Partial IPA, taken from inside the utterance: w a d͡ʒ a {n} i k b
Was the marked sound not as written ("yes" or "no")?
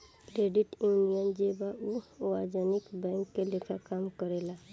no